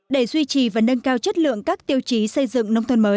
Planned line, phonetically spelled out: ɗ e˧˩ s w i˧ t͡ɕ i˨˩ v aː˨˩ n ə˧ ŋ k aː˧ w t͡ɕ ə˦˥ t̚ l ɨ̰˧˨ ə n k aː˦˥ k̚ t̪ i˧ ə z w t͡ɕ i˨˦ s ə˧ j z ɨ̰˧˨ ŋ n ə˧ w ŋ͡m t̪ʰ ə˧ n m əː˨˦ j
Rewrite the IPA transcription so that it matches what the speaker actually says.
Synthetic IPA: ɗ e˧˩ z w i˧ t͡ɕ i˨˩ v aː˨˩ n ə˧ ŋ k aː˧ w t͡ɕ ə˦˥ t̚ l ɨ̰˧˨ ə ŋ k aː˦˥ k̚ t̪ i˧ ə w t͡ɕ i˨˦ s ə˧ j z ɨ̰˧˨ ŋ n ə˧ w ŋ͡m t̪ʰ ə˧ n m əː˨˦ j